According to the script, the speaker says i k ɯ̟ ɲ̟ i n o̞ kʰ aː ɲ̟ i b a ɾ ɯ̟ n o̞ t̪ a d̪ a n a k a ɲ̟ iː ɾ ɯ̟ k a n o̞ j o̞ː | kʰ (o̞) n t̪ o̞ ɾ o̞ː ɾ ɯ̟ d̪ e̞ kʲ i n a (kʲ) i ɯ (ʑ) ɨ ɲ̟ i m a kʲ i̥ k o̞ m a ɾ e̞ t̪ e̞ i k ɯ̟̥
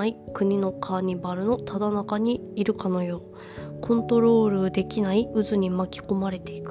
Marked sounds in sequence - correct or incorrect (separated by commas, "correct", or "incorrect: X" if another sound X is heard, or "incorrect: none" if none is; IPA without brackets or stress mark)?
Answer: incorrect: õ̞, incorrect: none, incorrect: z